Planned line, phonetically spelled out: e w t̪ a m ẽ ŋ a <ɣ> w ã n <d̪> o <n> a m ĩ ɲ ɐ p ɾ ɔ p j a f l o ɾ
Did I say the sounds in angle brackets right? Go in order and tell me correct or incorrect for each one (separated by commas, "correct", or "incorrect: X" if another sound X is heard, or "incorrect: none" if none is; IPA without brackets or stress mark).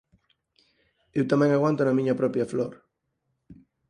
correct, incorrect: t̪, correct